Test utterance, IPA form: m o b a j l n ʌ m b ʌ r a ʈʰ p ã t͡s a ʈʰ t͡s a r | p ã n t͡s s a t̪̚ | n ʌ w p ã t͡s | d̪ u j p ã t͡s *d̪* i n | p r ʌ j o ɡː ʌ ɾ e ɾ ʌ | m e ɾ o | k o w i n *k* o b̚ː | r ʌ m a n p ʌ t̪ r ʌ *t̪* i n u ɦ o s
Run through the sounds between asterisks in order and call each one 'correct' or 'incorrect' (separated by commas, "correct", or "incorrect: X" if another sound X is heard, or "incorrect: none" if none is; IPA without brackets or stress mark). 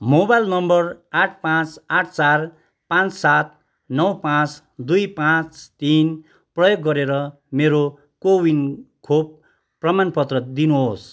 incorrect: t̪, incorrect: kʰ, incorrect: d̪